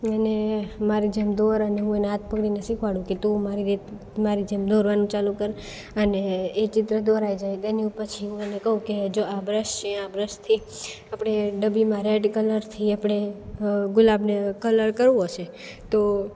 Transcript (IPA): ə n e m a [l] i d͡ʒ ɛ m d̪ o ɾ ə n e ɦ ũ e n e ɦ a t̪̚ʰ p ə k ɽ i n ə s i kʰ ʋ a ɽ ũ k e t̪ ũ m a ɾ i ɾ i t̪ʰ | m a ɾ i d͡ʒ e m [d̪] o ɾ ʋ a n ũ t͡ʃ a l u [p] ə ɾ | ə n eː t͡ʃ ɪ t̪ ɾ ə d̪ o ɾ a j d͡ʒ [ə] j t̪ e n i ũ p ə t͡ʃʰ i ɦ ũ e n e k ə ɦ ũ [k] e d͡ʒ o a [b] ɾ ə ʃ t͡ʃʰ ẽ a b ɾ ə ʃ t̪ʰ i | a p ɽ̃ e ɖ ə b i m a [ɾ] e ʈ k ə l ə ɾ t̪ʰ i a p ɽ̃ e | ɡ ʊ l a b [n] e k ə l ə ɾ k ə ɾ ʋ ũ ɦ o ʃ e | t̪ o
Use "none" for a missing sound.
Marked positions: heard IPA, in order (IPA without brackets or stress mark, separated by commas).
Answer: ɾ, d̪, k, a, k, b, ɾ, n